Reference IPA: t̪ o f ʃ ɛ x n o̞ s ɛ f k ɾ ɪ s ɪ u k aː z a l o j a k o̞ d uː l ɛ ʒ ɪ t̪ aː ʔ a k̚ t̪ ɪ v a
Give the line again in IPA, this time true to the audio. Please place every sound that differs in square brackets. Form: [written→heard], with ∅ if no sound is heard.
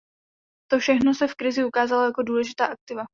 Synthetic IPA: t̪ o f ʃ ɛ x n o̞ s ɛ f k ɾ ɪ [s→z] ɪ u k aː z a l o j a k o̞ d uː l ɛ ʒ ɪ t̪ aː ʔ a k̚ t̪ ɪ v a